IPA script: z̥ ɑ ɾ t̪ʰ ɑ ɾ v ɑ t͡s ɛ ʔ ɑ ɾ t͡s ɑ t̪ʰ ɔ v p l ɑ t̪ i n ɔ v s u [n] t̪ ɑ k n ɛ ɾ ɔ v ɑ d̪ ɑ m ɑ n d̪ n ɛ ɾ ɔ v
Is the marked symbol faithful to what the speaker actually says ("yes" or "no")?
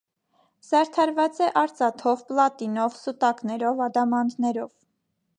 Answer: no